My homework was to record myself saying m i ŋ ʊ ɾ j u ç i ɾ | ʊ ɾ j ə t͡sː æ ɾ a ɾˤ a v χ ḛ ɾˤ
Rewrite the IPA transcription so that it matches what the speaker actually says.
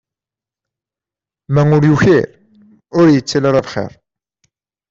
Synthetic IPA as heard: m æ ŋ ʊ ɾ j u ç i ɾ | ʊ ɾ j ə t͡sː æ l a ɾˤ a v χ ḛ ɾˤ